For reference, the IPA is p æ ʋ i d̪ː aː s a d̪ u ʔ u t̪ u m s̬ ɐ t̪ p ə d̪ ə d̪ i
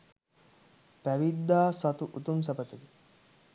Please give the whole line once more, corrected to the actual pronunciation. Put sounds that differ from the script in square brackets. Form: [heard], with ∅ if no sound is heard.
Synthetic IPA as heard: p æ ʋ i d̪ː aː s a [t̪] u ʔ u t̪ u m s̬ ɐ [∅] p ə [t̪] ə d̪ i